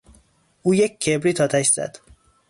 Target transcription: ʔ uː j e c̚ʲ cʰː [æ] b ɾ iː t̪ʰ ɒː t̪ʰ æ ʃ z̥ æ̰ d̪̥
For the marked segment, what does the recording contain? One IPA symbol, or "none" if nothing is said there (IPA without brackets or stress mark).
e